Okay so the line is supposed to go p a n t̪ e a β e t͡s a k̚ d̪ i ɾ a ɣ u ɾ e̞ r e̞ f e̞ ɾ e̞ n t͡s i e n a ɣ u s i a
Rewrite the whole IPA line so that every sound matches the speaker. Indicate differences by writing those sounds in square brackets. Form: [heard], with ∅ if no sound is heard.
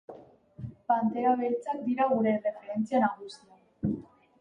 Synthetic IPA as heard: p a n t̪ e a β e t͡s a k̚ d̪ i ɾ a ɣ u ɾ e̞ r e̞ f e̞ ɾ e̞ n t͡s i [a] n a ɣ u s i a